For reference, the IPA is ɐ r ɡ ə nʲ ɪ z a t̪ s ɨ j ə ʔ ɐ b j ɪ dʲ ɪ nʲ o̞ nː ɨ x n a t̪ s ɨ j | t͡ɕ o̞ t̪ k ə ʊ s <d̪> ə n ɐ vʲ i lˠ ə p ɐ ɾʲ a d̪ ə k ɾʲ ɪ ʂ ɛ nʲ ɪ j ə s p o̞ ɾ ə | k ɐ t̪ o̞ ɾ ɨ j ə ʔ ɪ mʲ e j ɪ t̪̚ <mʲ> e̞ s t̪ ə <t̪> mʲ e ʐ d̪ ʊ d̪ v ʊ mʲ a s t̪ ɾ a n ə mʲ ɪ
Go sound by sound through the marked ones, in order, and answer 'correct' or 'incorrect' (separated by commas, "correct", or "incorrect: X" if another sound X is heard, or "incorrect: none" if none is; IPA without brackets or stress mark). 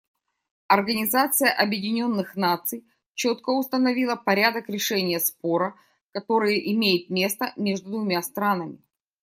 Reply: incorrect: t̪, correct, incorrect: none